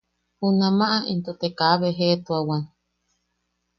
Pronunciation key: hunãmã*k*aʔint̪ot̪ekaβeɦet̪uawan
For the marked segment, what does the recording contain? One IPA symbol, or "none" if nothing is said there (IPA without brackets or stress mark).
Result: ʔ